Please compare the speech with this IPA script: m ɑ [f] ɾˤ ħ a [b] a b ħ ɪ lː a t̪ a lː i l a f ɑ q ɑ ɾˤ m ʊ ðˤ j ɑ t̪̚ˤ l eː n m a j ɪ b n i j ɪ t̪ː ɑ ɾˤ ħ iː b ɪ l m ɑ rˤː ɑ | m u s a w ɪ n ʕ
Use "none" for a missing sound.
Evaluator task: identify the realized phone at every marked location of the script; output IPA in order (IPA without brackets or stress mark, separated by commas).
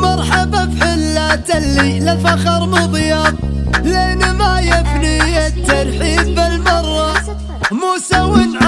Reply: none, b